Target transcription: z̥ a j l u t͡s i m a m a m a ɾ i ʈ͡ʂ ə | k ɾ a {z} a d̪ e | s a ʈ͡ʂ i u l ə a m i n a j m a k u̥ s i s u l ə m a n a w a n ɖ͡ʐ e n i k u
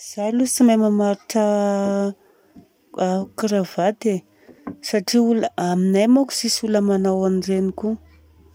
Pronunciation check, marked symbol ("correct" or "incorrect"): incorrect